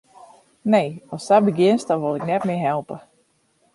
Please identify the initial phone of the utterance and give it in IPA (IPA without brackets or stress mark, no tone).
n